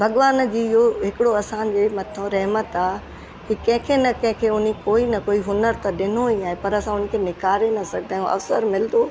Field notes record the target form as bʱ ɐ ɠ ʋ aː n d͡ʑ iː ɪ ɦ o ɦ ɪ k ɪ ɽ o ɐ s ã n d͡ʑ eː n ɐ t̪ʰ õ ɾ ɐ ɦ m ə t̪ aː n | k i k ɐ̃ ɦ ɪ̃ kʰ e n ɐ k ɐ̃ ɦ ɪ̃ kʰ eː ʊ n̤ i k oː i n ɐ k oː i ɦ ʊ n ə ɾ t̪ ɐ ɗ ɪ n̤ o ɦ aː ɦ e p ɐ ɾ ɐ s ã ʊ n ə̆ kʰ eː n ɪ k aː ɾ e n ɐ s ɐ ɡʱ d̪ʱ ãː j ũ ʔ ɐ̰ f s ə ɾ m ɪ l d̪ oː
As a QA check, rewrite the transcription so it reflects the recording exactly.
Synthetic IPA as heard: bʱ ɐ ɠ ʋ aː n d͡ʑ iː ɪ ɦ o ɦ ɪ k ɪ ɽ o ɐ s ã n d͡ʑ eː m ɐ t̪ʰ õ ɾ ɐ ɦ m ə t̪ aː | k i k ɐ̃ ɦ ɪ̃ kʰ e n ɐ k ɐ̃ ɦ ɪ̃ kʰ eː ʊ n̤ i k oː i n ɐ k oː i ɦ ʊ n ə ɾ t̪ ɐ ɗ ɪ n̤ o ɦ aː ɦ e p ɐ ɾ ɐ s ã ʊ n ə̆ kʰ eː n ɪ k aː ɾ e n ɐ s ɐ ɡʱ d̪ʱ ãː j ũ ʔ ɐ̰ f s ə ɾ m ɪ l d̪ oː